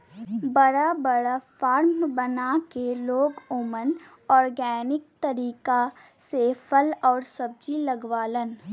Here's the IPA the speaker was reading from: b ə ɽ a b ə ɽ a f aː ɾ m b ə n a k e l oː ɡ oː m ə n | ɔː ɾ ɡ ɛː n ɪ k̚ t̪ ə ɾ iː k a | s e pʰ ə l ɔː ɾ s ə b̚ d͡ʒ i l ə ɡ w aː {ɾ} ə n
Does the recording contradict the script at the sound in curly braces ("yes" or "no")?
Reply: yes